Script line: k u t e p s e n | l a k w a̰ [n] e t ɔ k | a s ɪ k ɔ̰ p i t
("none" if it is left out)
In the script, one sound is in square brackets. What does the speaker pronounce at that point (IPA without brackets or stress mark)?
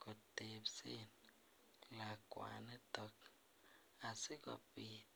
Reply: n